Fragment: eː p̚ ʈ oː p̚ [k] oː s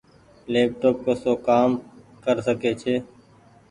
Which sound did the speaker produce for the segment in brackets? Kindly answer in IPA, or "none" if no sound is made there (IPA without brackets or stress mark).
k